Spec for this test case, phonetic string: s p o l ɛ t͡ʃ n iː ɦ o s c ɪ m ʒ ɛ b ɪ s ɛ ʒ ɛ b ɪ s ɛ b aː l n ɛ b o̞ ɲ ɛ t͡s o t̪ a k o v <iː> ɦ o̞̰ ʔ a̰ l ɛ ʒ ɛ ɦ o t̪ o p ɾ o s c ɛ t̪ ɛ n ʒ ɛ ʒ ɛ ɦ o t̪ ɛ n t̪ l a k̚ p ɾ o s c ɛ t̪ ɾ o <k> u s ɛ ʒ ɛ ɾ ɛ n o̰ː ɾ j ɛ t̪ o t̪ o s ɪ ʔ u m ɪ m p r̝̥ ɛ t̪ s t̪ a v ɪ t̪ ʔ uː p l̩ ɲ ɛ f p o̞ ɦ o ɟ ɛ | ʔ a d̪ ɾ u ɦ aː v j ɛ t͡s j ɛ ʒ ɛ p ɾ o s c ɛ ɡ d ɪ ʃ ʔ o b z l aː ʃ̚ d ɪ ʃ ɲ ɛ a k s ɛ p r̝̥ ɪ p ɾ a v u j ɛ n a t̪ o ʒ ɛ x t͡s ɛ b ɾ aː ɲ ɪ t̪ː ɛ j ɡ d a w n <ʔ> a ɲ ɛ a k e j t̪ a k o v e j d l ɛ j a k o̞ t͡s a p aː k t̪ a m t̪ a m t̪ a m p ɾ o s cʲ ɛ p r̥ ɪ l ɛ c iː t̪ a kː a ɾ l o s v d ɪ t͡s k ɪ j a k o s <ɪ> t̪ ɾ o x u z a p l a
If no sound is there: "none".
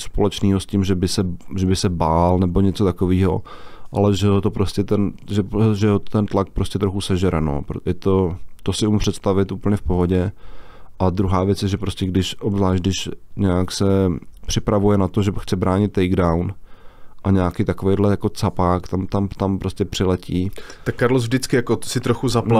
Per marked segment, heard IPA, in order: iː, x, ʔ, ɪ

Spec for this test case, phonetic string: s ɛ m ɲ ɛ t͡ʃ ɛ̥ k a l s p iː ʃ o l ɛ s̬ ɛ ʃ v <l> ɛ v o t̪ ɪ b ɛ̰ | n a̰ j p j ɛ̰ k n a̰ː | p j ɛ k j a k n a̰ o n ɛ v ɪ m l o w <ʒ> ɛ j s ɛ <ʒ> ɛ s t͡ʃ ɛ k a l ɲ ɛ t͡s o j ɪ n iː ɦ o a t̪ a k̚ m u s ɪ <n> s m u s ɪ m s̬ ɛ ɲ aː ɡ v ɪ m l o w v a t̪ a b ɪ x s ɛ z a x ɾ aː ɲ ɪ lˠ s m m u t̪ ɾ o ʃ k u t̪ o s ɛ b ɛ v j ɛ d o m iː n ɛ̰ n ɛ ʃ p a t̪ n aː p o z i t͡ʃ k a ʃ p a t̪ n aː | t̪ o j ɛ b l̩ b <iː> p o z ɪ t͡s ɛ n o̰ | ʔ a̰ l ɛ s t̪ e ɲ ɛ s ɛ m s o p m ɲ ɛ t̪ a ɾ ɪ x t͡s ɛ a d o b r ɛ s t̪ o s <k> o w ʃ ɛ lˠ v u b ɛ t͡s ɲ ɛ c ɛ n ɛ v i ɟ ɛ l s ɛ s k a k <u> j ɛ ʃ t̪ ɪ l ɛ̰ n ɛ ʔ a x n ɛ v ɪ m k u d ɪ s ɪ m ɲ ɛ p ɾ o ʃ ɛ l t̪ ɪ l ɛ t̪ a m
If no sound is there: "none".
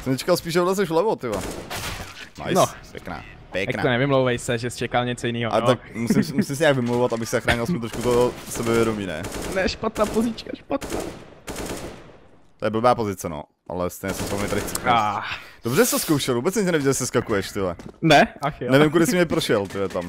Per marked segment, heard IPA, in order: l, v, ʒ, m, aː, k, u

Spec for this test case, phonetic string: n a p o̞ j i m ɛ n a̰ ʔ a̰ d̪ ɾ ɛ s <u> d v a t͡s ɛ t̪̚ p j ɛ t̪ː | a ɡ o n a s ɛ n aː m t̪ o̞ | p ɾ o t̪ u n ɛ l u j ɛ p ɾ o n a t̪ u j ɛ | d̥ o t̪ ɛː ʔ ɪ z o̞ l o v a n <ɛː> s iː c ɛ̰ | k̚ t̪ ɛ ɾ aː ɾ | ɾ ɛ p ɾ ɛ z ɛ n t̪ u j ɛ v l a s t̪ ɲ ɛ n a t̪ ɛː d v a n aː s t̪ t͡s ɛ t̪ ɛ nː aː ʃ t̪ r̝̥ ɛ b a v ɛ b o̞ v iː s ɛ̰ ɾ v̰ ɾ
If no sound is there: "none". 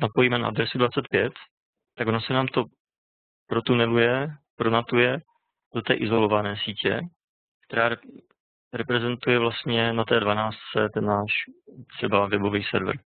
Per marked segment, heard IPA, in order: u, ɛː

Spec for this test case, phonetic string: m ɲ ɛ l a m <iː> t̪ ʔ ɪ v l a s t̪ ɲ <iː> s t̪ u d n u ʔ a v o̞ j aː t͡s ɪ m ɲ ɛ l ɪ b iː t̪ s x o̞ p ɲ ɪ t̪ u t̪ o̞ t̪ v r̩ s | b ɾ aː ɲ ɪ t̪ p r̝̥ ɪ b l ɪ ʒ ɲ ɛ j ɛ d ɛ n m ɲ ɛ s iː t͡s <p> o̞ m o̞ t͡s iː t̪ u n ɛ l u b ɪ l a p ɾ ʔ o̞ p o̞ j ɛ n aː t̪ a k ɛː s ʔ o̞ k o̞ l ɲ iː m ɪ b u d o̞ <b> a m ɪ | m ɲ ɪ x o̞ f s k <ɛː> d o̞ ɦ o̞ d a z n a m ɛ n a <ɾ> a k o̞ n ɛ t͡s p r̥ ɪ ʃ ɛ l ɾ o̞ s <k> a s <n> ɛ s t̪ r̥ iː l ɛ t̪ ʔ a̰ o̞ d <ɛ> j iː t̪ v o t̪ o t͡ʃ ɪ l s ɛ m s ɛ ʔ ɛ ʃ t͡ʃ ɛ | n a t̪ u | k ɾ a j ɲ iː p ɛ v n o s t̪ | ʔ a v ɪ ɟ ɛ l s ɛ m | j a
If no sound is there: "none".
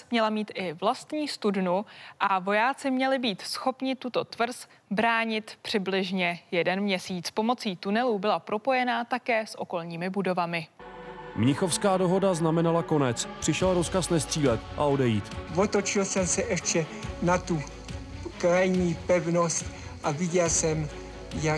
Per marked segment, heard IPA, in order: iː, iː, p, v, aː, l, k, n, ɛ

